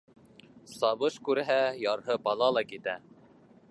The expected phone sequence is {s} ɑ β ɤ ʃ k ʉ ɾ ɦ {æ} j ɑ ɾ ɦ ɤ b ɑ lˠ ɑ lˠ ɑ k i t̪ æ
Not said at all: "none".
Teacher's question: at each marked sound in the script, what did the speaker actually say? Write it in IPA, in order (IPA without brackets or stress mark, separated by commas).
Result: s, æ